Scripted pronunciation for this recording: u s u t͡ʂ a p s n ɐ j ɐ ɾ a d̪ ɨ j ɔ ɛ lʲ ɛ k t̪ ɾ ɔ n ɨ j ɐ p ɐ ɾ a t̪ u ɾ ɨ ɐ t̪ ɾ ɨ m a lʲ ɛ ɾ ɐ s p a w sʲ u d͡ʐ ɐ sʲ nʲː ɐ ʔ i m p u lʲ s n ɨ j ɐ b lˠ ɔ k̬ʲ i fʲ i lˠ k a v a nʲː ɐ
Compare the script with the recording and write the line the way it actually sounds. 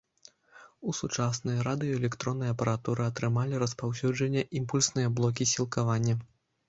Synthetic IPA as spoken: u s u t͡ʂ a s n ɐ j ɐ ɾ a d̪ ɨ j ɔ ɛ lʲ ɛ k t̪ ɾ ɔ nː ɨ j ɐ p ɐ ɾ a t̪ u ɾ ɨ ɐ t̪ ɾ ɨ m a lʲ i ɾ ɐ s p a w sʲ u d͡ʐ ɐ nʲː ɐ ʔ i m p u lʲ s n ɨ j ɐ b lˠ ɔ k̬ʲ i sʲ i lˠ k a v a nʲː ɐ